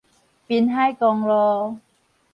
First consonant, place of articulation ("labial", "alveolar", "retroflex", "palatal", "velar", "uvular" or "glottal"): labial